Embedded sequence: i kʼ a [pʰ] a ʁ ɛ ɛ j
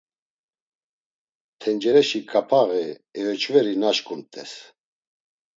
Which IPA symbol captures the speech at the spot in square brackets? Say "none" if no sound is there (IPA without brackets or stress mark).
pʰ